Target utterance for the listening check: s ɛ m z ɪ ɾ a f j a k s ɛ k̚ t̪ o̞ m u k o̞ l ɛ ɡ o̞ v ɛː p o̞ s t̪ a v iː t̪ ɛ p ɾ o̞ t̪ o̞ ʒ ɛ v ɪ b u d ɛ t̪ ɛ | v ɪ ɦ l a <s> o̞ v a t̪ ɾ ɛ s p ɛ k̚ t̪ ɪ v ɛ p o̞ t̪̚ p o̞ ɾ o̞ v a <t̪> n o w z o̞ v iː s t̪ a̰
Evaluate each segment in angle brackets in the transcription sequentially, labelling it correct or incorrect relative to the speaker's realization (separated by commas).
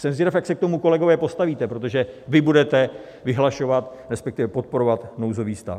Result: incorrect, correct